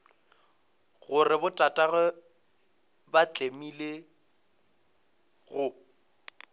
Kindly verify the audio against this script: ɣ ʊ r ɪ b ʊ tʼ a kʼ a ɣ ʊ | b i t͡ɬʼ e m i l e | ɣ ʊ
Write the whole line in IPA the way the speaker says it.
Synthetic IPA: ɣ ʊ r ɪ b ʊ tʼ a tʼ a ɣ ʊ | b a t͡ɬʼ e m i l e | ɣ ʊ